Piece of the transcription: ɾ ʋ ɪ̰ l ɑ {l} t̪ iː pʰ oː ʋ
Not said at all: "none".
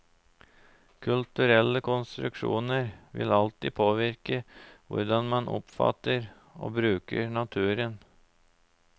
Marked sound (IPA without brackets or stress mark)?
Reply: l